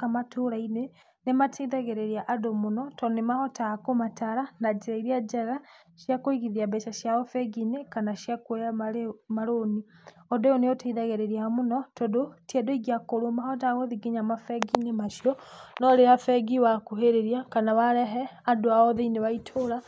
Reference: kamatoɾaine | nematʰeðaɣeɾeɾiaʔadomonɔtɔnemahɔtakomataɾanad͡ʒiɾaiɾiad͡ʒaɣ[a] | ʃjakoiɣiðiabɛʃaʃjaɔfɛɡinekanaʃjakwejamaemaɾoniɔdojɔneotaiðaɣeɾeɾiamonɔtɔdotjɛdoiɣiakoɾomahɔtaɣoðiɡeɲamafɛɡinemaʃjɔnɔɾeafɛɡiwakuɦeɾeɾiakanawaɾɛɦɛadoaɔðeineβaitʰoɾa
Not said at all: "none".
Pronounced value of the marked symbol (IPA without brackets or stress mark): a